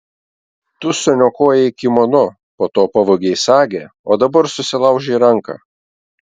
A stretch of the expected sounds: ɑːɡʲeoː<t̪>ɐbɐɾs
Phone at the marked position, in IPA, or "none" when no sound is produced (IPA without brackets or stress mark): d̪